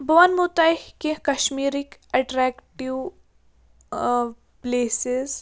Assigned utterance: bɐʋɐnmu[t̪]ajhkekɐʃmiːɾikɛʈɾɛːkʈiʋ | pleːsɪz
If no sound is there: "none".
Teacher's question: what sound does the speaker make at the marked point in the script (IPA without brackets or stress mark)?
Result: t̪